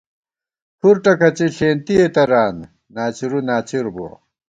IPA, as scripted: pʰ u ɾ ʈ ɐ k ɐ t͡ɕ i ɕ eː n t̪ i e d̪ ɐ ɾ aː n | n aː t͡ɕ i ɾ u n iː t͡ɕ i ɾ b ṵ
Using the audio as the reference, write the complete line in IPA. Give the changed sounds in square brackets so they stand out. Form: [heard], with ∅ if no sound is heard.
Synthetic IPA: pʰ u ɾ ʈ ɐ k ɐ t͡ɕ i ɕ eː n t̪ i e [t̪] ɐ ɾ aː n | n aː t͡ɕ i ɾ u n [aː] t͡ɕ i ɾ b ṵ